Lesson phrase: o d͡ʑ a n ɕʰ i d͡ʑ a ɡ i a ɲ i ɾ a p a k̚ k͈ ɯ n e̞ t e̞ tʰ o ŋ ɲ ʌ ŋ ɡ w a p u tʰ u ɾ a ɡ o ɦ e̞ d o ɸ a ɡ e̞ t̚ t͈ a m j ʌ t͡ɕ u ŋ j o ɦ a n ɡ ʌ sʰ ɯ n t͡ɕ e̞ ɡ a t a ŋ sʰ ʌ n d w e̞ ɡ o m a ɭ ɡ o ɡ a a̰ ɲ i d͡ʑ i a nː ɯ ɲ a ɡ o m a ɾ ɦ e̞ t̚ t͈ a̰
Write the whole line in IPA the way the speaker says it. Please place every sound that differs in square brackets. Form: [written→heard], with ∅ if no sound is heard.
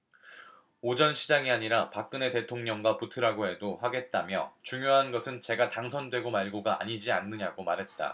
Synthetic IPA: o d͡ʑ [a→ʌ] n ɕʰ i d͡ʑ a [ɡ→ŋ] i a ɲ i ɾ a p a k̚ k͈ ɯ n e̞ t e̞ tʰ o ŋ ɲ ʌ ŋ ɡ w a p u tʰ [u→ɯ] ɾ a ɡ o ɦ e̞ d o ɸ a ɡ e̞ t̚ t͈ a m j ʌ t͡ɕ u ŋ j o ɦ a n ɡ ʌ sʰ ɯ n t͡ɕ e̞ ɡ a t a ŋ sʰ ʌ n d w e̞ ɡ o m a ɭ ɡ o ɡ a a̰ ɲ i d͡ʑ i a nː ɯ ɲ a ɡ o m a ɾ ɦ e̞ t̚ t͈ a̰

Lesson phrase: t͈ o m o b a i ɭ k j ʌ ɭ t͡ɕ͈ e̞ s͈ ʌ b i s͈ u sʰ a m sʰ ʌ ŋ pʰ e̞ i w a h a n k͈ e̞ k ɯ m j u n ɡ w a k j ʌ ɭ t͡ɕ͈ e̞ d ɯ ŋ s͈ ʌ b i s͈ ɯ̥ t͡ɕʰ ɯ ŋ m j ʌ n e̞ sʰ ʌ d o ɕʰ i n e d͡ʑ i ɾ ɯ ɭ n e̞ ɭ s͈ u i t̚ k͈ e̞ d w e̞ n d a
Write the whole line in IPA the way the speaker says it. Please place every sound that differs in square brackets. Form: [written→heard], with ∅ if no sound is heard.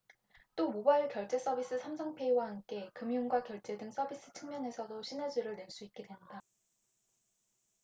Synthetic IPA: t͈ o m o b a i ɭ k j ʌ ɭ t͡ɕ͈ e̞ s͈ ʌ b i s͈ [u→ɯ] sʰ a m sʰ ʌ ŋ pʰ e̞ i w a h a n k͈ e̞ k ɯ m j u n ɡ w a k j ʌ ɭ t͡ɕ͈ e̞ d ɯ ŋ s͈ ʌ b i s͈ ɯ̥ t͡ɕʰ ɯ ŋ m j ʌ n e̞ sʰ ʌ d o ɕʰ i n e d͡ʑ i ɾ ɯ ɭ n e̞ ɭ s͈ u i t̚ k͈ e̞ d w e̞ n d a

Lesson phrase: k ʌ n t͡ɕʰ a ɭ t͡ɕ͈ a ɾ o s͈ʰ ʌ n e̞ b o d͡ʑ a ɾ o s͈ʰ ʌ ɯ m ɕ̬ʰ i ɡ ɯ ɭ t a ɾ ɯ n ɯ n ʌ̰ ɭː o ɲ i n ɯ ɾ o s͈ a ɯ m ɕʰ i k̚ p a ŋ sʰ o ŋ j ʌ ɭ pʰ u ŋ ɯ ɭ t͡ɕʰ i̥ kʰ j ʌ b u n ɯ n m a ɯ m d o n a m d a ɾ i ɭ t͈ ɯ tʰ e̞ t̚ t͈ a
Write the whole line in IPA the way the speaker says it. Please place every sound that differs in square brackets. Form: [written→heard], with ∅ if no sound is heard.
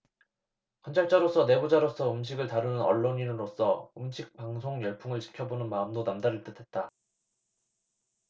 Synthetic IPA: k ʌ n t͡ɕʰ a ɭ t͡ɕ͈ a ɾ o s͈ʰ ʌ n e̞ b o d͡ʑ a ɾ o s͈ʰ ʌ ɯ m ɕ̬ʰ i ɡ ɯ ɭ t a ɾ ɯ n ɯ n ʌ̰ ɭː o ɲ i n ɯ ɾ o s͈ [a→ʌ] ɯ m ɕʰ i k̚ p a ŋ sʰ o ŋ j ʌ ɭ pʰ u ŋ ɯ ɭ [t͡ɕʰ→t͡ɕ] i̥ kʰ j ʌ b [u→o] n ɯ n m a ɯ m d o n a m d a ɾ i ɭ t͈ ɯ tʰ e̞ t̚ t͈ a

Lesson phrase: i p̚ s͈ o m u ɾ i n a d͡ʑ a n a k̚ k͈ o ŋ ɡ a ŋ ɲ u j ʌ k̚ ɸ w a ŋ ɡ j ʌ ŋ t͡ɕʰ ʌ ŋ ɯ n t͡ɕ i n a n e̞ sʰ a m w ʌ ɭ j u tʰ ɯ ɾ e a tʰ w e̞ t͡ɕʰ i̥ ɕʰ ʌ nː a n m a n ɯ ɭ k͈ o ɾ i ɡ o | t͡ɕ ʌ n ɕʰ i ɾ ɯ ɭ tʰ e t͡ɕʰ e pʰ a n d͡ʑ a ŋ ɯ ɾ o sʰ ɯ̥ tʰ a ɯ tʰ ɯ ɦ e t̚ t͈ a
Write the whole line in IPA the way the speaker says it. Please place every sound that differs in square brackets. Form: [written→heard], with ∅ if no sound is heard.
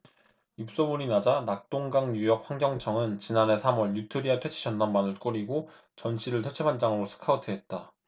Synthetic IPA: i p̚ s͈ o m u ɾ i n a d͡ʑ a n a k̚ [k͈→t͈] o ŋ ɡ a ŋ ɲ u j ʌ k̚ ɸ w a ŋ ɡ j ʌ ŋ t͡ɕʰ ʌ ŋ ɯ n t͡ɕ i n a n e̞ sʰ a m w ʌ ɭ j u tʰ ɯ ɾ [e→i] a tʰ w e̞ t͡ɕʰ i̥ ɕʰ ʌ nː a n m a n ɯ ɭ k͈ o ɾ i ɡ o | t͡ɕ ʌ n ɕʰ i ɾ ɯ ɭ tʰ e t͡ɕʰ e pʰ a n d͡ʑ a ŋ ɯ ɾ o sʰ ɯ̥ [tʰ→kʰ] a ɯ tʰ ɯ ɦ e t̚ t͈ a

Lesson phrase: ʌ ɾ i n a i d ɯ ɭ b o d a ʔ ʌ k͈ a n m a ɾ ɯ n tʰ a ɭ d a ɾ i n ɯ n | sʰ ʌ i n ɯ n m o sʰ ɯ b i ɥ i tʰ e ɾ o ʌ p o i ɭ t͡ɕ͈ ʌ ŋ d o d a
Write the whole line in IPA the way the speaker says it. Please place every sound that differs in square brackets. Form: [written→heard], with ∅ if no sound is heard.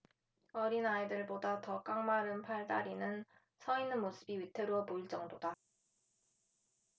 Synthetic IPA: ʌ ɾ i n a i d ɯ ɭ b o d a [ʔ→t] ʌ k͈ a [n→ŋ] m a ɾ ɯ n [tʰ→pʰ] a ɭ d a ɾ i n ɯ n | sʰ ʌ i n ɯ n m o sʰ ɯ b i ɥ i tʰ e ɾ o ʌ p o i ɭ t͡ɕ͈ ʌ ŋ d o d a

